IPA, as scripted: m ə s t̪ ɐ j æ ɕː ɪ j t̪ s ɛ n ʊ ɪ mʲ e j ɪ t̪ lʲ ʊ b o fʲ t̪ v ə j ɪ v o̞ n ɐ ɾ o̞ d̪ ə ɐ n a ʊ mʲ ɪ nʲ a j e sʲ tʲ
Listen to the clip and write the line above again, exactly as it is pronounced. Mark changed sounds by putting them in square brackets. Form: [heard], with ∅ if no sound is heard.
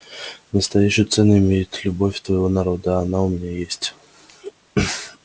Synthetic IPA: [n] ə s t̪ ɐ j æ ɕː ɪ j t̪ s ɛ n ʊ ɪ mʲ e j ɪ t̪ lʲ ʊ b o fʲ t̪ v ə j ɪ v o̞ n ɐ ɾ o̞ d̪ ə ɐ n a ʊ mʲ ɪ nʲ a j e sʲ tʲ